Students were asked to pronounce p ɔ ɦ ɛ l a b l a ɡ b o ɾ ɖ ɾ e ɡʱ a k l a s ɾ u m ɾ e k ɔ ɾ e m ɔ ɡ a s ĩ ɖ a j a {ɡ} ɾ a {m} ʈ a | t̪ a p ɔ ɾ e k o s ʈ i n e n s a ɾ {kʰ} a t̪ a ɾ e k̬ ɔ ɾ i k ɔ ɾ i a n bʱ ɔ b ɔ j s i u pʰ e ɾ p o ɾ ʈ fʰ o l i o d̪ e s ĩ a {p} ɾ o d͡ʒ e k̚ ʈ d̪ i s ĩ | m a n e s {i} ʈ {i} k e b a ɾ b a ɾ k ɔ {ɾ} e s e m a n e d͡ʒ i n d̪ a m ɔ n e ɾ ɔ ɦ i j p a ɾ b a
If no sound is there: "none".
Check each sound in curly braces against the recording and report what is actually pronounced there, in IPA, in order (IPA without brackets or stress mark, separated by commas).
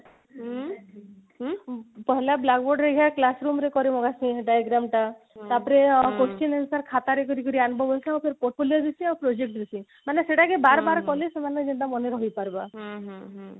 ɡ, m, kʰ, p, e, a, l